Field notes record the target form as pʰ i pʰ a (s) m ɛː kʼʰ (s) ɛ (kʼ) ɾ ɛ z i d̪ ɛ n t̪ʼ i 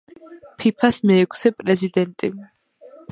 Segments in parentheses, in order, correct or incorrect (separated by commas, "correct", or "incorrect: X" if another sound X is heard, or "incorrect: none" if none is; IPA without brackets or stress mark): correct, correct, incorrect: pʼ